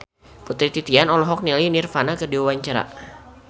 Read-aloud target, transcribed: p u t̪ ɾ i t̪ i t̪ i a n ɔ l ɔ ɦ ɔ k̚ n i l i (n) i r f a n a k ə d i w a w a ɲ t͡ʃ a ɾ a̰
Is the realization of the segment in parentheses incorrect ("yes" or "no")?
no